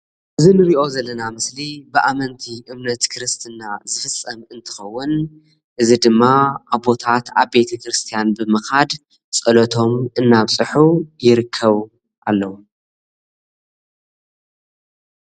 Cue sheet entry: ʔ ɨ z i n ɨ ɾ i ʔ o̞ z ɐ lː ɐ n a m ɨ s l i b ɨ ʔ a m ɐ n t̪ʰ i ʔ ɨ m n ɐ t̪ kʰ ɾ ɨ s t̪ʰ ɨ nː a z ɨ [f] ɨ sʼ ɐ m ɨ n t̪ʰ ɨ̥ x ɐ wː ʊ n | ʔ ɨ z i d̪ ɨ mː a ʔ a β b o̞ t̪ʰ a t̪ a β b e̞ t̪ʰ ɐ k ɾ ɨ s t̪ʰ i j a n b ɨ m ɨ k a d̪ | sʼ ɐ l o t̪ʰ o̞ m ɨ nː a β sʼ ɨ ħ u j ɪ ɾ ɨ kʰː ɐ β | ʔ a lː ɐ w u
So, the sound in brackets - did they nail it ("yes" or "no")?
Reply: yes